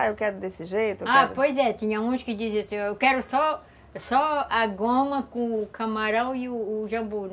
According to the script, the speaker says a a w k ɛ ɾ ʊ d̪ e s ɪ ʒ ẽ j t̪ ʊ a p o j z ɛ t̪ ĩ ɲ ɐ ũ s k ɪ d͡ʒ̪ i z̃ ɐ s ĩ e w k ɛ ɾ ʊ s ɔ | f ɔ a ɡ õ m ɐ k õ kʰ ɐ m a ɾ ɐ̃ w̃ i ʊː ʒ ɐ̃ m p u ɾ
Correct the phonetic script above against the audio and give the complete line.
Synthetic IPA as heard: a e w k ɛ ɾ ʊ d̪ e s ɪ ʒ e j t̪ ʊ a p o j z ɛ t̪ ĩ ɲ ɐ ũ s k ɪ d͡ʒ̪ i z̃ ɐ s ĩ e w k ɛ ɾ ʊ s ɔ | s ɔ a ɡ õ m ɐ k õ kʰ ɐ m a ɾ ɐ̃ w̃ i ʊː ʒ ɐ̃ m b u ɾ